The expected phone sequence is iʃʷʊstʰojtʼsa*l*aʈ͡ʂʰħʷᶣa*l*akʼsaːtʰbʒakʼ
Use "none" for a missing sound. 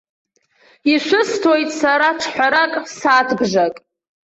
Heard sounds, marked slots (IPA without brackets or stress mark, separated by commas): ɾ, ɾ